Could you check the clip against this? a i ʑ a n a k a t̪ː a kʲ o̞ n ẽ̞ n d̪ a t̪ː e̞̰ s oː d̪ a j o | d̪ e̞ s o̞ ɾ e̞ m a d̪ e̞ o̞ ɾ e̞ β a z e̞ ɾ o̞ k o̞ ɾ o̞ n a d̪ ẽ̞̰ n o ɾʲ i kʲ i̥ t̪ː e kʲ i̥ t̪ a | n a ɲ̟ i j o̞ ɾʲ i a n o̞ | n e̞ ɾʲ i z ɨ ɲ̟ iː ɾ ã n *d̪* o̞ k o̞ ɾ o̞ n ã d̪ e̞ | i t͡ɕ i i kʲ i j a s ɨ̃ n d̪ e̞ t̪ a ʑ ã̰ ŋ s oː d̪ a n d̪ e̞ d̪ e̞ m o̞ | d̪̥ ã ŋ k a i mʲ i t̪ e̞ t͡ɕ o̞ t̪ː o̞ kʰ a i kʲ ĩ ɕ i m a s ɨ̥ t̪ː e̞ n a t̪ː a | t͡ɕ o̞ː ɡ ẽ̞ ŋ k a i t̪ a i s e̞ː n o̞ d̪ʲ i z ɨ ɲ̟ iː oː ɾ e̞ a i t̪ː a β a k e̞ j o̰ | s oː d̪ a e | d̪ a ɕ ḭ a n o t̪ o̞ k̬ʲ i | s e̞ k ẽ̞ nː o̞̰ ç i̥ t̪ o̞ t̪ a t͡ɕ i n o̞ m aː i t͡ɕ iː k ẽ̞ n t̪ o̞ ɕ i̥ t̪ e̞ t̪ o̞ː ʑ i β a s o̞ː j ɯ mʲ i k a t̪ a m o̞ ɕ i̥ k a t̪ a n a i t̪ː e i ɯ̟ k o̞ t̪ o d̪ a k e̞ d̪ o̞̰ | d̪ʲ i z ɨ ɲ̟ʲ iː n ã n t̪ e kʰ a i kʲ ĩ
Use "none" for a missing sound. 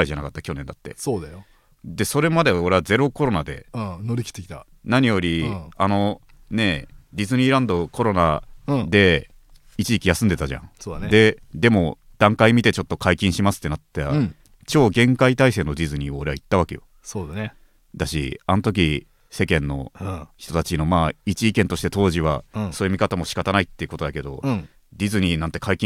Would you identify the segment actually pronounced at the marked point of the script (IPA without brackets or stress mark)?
d̪